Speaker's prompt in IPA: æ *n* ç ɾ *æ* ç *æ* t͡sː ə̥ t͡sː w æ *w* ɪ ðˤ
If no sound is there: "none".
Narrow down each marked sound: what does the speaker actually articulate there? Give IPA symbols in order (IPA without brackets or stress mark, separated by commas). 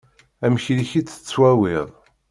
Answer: m, i, i, w